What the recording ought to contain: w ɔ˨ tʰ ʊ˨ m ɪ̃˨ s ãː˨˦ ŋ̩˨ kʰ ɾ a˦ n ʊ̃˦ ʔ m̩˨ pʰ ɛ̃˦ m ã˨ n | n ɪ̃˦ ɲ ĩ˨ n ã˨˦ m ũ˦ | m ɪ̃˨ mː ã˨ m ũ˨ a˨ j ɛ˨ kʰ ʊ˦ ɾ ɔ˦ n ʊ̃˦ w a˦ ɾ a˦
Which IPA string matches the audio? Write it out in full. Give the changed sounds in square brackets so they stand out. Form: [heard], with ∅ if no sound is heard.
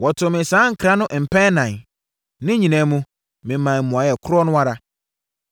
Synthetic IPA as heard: w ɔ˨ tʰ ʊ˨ m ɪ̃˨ s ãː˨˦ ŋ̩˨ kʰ ɾ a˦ n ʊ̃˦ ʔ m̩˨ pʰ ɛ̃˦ [n] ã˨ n | n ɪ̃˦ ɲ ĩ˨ n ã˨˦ m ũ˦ | m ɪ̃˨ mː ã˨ m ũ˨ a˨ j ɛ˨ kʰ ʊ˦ ɾ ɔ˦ n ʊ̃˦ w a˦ ɾ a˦